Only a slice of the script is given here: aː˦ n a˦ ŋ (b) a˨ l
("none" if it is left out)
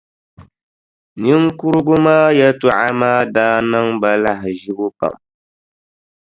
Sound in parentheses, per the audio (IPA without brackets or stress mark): b